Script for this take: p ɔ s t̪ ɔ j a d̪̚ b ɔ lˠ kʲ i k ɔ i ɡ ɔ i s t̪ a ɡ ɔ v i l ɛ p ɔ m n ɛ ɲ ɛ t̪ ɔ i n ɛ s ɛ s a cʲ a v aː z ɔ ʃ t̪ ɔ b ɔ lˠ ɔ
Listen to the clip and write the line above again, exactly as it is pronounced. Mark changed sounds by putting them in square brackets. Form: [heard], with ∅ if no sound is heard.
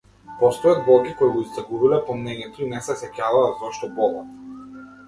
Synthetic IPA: p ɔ s t̪ ɔ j a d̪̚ b ɔ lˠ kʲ i k ɔ i ɡ ɔ i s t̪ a ɡ [u] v i l ɛ p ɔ m n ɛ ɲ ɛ t̪ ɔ i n ɛ s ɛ s [ɛ] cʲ a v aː z ɔ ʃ t̪ ɔ b ɔ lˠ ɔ